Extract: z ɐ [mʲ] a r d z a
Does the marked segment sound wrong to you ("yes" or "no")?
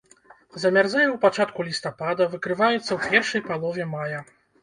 no